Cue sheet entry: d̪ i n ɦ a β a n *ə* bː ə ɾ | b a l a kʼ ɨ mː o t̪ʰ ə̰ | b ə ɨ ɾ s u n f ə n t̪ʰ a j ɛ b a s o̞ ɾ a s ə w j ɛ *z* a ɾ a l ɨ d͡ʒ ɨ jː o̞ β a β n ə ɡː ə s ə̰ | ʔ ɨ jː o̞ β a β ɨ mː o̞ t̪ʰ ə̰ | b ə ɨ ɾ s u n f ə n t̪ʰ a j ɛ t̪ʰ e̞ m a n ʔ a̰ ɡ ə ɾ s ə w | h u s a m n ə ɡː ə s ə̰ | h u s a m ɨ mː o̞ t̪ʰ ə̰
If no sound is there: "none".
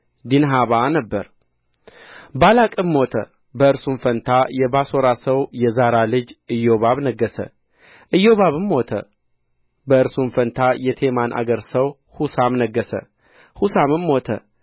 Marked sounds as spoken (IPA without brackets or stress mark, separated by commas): ə, z